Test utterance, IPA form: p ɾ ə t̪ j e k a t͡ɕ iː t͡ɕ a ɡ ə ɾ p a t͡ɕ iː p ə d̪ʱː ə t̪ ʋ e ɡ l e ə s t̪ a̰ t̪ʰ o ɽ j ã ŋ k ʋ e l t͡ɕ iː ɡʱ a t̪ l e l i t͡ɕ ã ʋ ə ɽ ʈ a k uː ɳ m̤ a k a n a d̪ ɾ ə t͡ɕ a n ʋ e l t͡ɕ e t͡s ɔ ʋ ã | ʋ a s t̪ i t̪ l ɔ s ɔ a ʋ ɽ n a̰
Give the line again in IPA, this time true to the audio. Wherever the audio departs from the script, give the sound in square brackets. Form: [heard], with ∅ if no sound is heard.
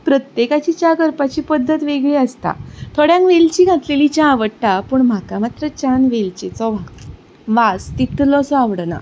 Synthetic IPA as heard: p ɾ ə t̪ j e k a t͡ɕ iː t͡ɕ a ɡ ə ɾ p a t͡ɕ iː p ə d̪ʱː ə t̪ ʋ e ɡ [ɭ] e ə s t̪ a̰ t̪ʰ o ɽ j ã ŋ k ʋ e l t͡ɕ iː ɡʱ a t̪ l e l i t͡ɕ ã ʋ ə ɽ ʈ a [p] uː ɳ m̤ a k a [m] a [t̪] ɾ ə t͡ɕ a n ʋ e l t͡ɕ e t͡s ɔ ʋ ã | ʋ a s t̪ i t̪ l ɔ s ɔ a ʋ ɽ n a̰